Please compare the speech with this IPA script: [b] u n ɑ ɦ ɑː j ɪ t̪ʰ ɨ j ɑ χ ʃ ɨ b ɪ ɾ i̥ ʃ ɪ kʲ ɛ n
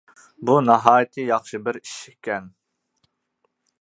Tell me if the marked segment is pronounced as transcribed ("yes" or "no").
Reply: yes